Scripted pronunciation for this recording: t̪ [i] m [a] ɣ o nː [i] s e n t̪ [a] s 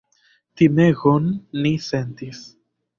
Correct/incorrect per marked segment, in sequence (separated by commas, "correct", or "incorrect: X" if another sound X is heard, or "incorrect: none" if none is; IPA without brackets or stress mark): correct, incorrect: e, correct, incorrect: i